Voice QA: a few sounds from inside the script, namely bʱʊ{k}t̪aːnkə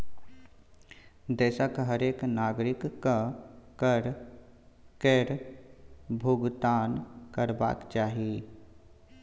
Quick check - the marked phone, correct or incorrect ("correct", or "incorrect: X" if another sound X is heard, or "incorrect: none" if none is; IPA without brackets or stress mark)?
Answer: incorrect: ɡ